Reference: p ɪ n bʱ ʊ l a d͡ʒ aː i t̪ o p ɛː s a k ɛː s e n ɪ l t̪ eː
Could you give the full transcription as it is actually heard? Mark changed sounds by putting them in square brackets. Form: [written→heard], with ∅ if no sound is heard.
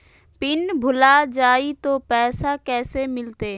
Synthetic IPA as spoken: p ɪ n bʱ ʊ l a d͡ʒ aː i t̪ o p ɛː s a k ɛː s e [n→m] ɪ l t̪ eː